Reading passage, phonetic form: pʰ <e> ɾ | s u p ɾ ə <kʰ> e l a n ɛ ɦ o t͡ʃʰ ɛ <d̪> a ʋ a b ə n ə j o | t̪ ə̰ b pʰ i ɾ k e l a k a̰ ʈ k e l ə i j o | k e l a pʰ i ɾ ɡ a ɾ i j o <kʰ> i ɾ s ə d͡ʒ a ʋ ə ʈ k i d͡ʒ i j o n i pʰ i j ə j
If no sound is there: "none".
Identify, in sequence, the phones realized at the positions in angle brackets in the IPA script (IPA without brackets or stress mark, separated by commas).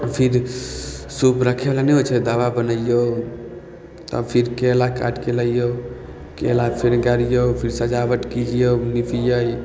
i, kʰ, d̪, pʰ